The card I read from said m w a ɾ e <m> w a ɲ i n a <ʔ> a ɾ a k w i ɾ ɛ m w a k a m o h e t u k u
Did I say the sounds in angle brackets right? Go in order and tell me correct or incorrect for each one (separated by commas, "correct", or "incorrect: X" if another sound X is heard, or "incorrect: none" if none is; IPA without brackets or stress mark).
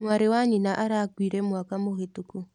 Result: incorrect: none, correct